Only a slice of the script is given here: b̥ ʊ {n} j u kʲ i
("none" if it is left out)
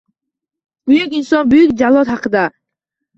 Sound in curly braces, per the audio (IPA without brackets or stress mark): none